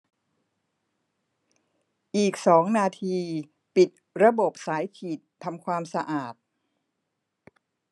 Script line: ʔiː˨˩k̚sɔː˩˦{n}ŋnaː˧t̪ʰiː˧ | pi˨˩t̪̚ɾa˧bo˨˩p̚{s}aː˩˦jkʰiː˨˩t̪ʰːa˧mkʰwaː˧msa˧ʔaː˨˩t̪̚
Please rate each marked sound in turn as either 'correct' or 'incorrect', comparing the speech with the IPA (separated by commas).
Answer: incorrect, correct